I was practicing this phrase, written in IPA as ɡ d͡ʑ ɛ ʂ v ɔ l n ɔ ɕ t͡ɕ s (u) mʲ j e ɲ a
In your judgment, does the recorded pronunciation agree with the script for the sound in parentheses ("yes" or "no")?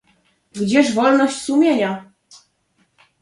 yes